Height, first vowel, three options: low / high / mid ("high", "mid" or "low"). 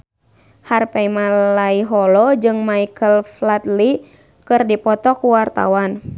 low